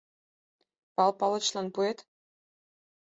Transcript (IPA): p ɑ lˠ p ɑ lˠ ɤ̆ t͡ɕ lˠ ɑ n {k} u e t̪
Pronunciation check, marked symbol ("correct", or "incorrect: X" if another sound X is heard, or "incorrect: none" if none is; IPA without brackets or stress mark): incorrect: p